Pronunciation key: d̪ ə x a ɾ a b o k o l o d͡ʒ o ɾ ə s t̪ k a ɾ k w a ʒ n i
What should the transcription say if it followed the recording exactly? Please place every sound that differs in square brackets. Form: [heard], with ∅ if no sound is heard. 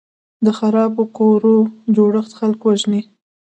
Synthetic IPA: d̪ ə x a ɾ [ɑ] b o k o [ɾ] o d͡ʒ o [ɽ] ə [x] t̪ [x] a [l] k w a ʒ n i